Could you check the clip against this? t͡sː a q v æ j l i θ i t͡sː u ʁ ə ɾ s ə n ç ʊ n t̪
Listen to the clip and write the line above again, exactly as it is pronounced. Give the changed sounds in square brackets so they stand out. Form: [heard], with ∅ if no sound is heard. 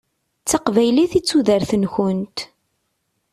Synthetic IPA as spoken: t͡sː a q v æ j l i θ i t͡sː u [ð] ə ɾ [θ] ə n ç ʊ n t̪